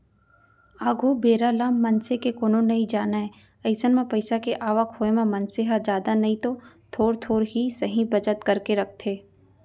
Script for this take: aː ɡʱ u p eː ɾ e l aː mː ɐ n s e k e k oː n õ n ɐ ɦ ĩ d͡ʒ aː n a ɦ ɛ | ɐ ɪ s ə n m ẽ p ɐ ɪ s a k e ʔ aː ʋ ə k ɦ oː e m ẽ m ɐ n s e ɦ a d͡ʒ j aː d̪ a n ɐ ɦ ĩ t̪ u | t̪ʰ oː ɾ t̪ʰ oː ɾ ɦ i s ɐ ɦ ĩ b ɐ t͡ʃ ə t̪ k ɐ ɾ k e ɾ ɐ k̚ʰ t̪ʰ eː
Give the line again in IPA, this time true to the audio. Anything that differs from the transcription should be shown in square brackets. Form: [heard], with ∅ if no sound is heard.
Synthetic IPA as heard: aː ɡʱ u [b] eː ɾ [a] l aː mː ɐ n s e k e k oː n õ n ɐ ɦ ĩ d͡ʒ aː n a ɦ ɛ | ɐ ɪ s ə n m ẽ p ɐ ɪ s a k e ʔ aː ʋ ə k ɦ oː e m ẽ m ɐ n s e ɦ a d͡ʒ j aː d̪ a n ɐ ɦ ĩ t̪ [o] | t̪ʰ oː ɾ t̪ʰ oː ɾ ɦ i s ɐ ɦ ĩ b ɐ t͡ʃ ə t̪ k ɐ ɾ k e ɾ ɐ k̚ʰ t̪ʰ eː